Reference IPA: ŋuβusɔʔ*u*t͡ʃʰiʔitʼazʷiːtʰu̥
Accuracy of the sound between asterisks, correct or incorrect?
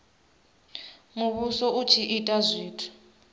correct